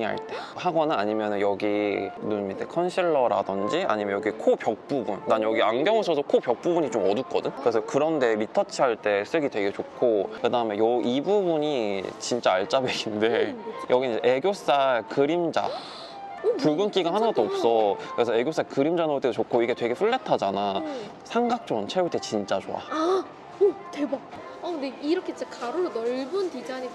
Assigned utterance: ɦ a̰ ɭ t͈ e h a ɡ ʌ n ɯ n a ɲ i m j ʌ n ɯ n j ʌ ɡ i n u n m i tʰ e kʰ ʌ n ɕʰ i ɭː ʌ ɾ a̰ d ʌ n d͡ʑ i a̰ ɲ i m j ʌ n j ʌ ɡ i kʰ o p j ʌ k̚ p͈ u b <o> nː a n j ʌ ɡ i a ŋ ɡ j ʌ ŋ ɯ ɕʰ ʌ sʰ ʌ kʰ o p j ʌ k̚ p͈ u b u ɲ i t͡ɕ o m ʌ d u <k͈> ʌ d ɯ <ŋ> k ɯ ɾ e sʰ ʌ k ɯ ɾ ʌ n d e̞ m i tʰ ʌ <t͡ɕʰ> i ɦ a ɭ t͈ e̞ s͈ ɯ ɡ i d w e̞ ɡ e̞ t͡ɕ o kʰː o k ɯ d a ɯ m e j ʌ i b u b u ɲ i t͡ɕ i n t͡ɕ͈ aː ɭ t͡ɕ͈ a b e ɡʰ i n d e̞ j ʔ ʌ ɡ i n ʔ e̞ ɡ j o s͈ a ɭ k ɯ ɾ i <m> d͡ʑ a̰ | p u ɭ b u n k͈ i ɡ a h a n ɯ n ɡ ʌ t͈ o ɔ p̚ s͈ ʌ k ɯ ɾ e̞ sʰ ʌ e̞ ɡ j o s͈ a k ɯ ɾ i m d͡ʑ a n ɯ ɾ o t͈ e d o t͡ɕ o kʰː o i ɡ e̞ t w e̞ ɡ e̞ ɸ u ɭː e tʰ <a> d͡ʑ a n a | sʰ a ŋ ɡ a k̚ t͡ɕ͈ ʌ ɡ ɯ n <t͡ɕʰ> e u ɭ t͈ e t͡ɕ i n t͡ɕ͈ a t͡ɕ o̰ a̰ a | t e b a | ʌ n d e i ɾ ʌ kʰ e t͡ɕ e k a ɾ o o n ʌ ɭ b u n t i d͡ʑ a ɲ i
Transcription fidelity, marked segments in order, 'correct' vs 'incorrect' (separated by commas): incorrect, correct, incorrect, correct, correct, correct, correct